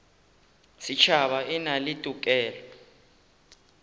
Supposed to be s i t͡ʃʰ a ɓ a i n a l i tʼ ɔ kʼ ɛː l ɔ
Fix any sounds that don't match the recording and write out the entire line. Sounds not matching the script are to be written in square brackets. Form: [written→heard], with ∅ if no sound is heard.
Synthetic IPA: s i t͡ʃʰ a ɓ a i n a l i tʼ [ɔ→u] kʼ ɛː l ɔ